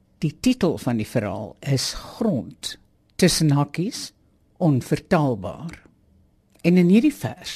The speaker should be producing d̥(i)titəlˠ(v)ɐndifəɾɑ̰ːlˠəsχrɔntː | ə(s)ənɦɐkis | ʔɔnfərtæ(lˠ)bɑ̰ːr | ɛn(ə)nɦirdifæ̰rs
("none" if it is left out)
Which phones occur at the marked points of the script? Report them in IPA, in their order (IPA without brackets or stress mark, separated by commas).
i, f, s, lˠ, ə